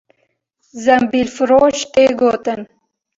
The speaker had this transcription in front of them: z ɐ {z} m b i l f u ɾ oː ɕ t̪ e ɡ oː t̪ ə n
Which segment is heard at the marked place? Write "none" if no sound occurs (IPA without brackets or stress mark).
none